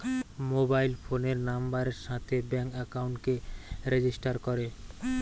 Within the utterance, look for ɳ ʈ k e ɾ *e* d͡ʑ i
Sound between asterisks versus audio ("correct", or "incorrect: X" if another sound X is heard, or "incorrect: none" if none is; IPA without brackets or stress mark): correct